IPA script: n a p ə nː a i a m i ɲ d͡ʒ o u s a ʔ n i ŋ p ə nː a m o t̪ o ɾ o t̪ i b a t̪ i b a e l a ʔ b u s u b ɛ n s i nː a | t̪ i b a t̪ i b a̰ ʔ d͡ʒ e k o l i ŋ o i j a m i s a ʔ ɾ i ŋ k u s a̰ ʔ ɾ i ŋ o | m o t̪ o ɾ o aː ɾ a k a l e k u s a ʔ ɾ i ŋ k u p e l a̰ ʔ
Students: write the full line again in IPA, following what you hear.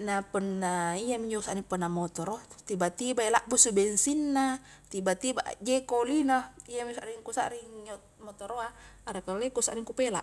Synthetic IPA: n a p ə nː a i a m i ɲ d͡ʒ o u s a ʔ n i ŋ p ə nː a m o t̪ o ɾ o t̪ i b a t̪ i b a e l a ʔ b u s u b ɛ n s i nː a | t̪ i b a t̪ i b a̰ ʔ d͡ʒ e k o l i n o i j a m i s a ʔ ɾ i ŋ k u s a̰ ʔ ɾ i ŋ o | m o t̪ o ɾ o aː ɾ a k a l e k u s a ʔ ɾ i ŋ k u p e l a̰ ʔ